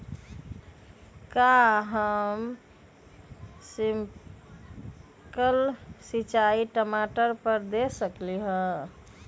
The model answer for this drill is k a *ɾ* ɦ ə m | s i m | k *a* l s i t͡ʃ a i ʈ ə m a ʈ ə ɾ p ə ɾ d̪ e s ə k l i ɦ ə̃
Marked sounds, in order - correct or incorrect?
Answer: incorrect, incorrect

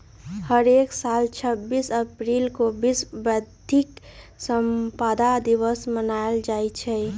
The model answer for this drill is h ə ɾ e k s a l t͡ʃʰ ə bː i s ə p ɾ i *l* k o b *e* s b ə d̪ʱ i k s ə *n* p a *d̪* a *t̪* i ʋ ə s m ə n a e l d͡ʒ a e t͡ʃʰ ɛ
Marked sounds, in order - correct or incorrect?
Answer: correct, incorrect, incorrect, correct, incorrect

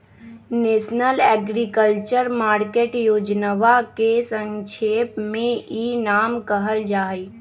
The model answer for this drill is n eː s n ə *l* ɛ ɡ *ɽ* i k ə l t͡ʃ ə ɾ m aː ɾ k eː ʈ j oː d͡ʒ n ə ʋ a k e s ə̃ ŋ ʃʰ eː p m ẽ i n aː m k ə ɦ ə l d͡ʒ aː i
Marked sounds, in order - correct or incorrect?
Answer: correct, incorrect

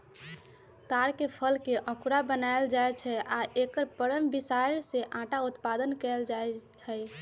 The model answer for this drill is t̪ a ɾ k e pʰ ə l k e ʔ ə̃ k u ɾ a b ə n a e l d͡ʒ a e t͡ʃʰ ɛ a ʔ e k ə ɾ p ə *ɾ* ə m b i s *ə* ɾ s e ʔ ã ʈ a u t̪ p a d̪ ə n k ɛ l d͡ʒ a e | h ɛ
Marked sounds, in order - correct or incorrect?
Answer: correct, incorrect

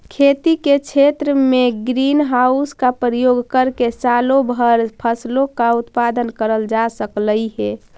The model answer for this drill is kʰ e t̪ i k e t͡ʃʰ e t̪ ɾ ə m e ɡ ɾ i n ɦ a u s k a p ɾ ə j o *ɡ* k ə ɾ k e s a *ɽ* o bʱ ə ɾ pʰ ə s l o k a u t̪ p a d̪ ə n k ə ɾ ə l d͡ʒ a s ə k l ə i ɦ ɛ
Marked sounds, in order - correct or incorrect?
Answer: correct, incorrect

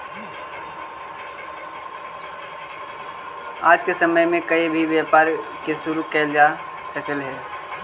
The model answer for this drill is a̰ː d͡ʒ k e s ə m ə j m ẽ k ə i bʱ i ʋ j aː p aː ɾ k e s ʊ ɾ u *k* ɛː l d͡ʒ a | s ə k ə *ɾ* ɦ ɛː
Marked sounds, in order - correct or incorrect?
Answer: correct, incorrect

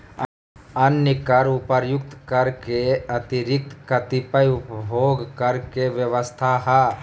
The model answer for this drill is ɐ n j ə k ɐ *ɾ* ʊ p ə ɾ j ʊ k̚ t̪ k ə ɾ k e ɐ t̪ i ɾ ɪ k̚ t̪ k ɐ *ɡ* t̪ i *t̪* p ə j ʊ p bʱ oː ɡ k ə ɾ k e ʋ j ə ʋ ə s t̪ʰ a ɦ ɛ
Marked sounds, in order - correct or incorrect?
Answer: correct, incorrect, incorrect

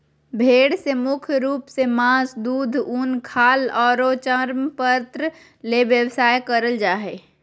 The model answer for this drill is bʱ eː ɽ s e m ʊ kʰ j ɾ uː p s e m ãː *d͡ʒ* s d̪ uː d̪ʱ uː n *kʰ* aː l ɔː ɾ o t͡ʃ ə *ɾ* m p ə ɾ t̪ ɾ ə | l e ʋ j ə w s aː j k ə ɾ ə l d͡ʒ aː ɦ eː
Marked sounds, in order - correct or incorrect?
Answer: incorrect, correct, correct

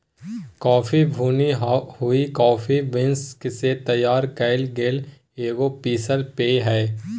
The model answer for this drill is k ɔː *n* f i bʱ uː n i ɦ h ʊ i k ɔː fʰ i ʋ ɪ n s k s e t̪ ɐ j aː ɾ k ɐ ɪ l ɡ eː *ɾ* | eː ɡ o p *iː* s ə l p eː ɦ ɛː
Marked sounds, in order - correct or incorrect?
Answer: incorrect, incorrect, correct

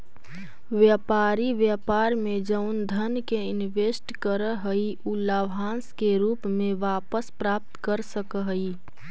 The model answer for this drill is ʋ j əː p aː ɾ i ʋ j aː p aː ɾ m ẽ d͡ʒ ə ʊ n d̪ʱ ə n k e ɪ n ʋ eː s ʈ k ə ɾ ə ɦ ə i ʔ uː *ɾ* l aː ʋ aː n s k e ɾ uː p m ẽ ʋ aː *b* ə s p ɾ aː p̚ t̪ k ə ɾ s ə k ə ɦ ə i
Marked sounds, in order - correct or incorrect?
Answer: incorrect, incorrect

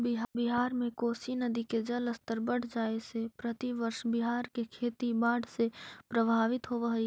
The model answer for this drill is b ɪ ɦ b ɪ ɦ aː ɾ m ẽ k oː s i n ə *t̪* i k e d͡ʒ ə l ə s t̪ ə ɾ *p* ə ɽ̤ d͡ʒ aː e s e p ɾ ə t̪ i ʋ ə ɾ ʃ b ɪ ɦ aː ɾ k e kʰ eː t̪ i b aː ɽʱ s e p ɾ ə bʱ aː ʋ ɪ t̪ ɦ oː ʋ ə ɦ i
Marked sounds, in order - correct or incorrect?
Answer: incorrect, incorrect

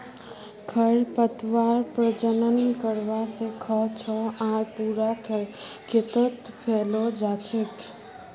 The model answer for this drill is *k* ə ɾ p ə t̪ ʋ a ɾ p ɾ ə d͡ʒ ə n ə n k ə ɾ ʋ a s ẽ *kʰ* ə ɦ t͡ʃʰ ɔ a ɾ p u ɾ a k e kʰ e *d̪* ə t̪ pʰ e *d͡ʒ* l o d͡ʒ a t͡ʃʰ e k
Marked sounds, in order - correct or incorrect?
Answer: incorrect, correct, incorrect, incorrect

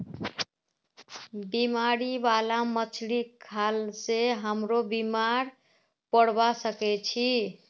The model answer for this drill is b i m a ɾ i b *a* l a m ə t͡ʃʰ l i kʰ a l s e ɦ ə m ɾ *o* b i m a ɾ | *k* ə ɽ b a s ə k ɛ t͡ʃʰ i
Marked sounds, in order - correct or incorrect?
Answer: correct, correct, incorrect

